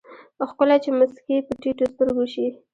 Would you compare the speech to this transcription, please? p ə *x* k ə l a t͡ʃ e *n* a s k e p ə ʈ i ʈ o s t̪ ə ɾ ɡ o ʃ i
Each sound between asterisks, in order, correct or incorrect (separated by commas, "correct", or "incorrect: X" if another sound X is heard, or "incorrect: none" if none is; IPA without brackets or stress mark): correct, incorrect: m